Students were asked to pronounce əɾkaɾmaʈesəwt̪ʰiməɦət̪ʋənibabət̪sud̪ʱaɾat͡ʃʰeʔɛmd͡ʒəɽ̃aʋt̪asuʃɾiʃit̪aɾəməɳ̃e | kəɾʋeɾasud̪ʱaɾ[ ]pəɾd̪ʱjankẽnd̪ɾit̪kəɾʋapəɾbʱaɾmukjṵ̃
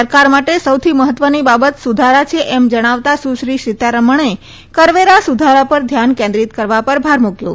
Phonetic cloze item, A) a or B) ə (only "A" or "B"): A